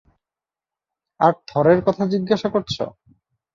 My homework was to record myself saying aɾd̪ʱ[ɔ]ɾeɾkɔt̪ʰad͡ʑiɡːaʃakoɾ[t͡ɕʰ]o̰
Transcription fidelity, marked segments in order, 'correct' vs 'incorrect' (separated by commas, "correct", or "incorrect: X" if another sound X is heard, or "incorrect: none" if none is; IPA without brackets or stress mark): correct, correct